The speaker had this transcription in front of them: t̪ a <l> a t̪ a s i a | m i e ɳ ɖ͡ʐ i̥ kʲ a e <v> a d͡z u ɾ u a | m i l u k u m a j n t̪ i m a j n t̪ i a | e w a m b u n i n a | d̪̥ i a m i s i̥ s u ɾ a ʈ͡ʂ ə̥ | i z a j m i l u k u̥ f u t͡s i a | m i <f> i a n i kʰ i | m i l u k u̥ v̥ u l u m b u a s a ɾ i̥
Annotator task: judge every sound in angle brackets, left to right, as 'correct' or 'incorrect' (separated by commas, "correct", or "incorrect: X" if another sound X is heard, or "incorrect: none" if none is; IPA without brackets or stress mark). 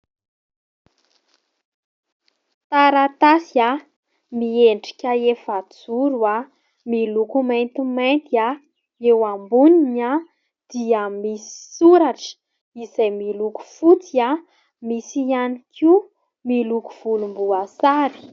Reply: incorrect: ɾ, incorrect: f, incorrect: s